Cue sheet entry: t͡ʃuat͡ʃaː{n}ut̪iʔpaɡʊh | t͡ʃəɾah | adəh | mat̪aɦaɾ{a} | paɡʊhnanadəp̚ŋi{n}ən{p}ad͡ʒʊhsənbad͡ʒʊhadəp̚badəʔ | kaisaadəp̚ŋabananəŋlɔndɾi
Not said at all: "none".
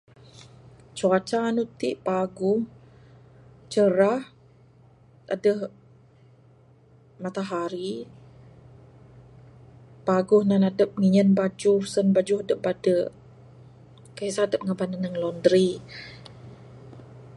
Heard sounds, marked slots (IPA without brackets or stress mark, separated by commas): n, i, ɲ, b